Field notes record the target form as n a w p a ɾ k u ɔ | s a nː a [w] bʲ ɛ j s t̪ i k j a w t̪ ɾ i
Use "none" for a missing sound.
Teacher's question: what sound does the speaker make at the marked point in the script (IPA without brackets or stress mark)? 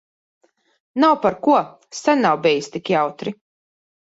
w